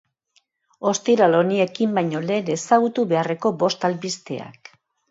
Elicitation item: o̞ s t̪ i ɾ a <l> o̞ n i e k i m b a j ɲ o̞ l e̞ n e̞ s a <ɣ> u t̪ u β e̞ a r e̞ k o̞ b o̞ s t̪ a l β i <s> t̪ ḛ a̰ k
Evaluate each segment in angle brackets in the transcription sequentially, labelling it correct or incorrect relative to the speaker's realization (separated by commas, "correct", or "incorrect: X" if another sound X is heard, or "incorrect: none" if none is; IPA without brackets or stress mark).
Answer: correct, correct, correct